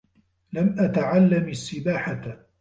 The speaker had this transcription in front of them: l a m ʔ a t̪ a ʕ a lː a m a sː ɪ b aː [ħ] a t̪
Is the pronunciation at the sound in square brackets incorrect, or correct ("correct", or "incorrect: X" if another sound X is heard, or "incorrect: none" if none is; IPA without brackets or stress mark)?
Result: correct